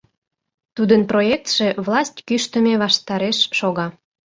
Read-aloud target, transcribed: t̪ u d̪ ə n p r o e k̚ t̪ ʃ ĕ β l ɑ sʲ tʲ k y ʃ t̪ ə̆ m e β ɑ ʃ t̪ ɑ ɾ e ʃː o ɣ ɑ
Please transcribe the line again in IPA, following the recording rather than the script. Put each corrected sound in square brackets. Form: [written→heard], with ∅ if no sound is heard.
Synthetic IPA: t̪ u d̪ ə n p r o e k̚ t̪ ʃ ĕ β l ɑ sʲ tʲ k y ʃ t̪ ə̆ m e β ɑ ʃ t̪ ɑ ɾ e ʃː o ɣ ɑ